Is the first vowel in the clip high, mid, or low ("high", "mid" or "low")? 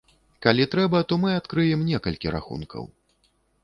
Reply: low